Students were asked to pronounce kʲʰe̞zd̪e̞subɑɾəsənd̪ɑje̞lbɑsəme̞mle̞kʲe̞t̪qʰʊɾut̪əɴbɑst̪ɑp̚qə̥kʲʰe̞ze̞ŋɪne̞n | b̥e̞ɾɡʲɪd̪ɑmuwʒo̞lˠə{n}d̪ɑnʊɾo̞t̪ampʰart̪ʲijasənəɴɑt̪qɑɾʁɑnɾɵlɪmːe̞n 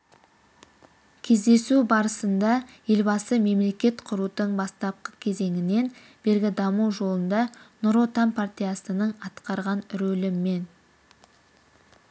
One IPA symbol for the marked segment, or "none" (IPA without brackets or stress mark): n